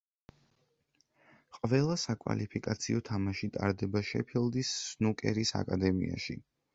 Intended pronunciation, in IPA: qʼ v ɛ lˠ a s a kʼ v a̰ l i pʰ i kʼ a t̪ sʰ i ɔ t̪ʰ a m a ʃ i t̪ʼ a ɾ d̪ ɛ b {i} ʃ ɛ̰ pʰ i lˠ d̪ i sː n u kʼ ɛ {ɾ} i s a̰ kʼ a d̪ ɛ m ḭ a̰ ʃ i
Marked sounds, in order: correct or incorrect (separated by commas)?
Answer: incorrect, correct